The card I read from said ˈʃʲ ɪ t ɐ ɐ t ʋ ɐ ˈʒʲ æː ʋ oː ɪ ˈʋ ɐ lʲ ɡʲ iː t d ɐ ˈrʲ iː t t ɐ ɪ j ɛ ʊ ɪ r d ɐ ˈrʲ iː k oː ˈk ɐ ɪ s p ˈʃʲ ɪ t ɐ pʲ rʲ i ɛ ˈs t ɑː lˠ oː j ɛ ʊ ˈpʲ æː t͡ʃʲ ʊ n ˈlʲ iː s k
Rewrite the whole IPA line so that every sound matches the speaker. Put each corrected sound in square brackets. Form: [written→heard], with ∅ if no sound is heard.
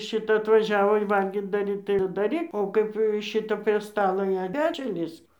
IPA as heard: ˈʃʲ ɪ t ɐ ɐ t ʋ ɐ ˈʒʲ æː ʋ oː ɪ ˈʋ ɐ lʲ ɡʲ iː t d ɐ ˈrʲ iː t t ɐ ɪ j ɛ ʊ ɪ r d ɐ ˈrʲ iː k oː ˈk ɐ ɪ [s→∅] p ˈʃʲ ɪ t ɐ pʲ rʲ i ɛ ˈs t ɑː lˠ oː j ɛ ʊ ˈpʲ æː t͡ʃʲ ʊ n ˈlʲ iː s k